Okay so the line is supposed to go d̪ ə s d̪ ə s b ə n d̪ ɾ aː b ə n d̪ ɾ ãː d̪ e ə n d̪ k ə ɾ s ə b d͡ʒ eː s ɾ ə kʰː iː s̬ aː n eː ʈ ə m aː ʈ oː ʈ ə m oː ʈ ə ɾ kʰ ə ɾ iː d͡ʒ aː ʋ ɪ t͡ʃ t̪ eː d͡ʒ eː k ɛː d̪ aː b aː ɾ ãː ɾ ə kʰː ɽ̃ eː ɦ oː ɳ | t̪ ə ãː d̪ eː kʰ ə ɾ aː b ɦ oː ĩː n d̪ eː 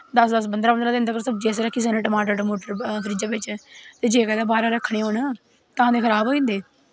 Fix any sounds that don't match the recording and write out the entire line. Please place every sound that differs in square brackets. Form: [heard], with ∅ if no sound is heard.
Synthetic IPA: d̪ ə s d̪ ə s b ə n d̪ ɾ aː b ə n d̪ ɾ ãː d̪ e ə n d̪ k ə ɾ s ə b d͡ʒ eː s ɾ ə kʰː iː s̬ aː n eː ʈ ə m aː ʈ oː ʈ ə m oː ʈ ə ɾ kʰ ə ɾ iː d͡ʒ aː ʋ ɪ t͡ʃ t̪ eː d͡ʒ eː k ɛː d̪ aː b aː ɾ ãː ɾ ə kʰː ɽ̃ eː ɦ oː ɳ | t̪ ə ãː d̪ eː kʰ ə ɾ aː b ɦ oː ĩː n d̪ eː